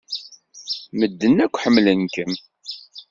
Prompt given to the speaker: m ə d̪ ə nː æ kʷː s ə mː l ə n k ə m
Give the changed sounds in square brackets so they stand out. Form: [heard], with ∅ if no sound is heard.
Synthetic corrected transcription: m ə [d̪ː] ə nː æ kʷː [ħ] ə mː l ə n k ə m